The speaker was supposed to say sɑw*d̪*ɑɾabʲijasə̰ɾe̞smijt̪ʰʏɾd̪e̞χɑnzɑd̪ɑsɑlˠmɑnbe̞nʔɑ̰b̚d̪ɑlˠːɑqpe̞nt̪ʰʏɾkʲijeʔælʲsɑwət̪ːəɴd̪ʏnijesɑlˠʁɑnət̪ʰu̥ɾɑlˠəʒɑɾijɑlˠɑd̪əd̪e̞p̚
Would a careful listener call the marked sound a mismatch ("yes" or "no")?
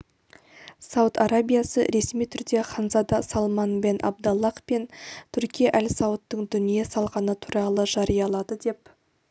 yes